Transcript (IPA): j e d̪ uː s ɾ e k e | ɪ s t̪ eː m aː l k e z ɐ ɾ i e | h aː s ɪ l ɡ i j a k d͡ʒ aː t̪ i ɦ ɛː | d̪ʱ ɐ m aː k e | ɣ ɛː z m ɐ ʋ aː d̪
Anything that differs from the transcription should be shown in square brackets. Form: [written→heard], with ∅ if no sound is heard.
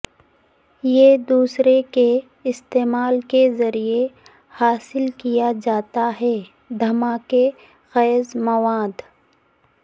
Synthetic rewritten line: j e d̪ uː s ɾ e k e | ɪ s t̪ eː m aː l k e z ɐ ɾ i e | h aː s ɪ l [ɡ→k] i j a [k→∅] d͡ʒ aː t̪ [i→a] ɦ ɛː | d̪ʱ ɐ m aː k e | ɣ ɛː z m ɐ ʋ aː d̪